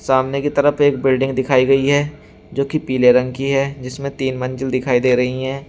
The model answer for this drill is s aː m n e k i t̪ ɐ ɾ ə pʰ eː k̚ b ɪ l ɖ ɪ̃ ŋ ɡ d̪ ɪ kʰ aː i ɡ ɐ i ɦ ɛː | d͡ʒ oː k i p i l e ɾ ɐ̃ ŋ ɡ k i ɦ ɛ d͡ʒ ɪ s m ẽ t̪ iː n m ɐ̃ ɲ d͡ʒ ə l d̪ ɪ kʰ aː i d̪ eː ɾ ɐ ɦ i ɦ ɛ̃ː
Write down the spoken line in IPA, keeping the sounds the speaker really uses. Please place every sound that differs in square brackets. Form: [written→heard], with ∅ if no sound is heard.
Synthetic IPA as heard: s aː m n e k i t̪ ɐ ɾ ə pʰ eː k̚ b ɪ l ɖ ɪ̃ ŋ ɡ d̪ ɪ kʰ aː i ɡ ɐ i ɦ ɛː | d͡ʒ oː k i p [i→iː] l e ɾ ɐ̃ ŋ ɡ k i ɦ ɛ d͡ʒ ɪ s m ẽ t̪ iː n m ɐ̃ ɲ d͡ʒ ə l d̪ ɪ kʰ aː i d̪ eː ɾ ɐ ɦ i ɦ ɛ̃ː